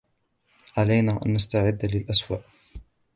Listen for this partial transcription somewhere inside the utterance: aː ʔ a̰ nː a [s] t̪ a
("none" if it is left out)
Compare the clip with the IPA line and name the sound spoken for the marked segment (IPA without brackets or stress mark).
s